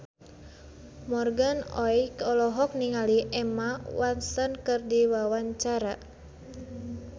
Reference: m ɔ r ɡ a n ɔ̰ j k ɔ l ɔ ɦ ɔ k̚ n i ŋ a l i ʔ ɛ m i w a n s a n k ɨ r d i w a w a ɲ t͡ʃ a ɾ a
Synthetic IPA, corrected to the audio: m ɔ r ɡ a n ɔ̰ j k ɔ l ɔ ɦ ɔ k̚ n i ŋ a l i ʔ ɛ m a w a n s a n k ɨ r d i w a w a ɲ t͡ʃ a ɾ a